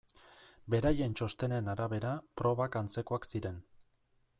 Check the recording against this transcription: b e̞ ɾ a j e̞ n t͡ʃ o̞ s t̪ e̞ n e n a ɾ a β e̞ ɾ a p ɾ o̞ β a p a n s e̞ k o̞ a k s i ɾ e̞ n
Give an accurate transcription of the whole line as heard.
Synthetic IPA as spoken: b e̞ ɾ a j e̞ n t͡ʃ o̞ s t̪ e̞ n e n a ɾ a β e̞ ɾ a p ɾ o̞ β a k a n t͡s e̞ k o̞ a k s i ɾ e̞ n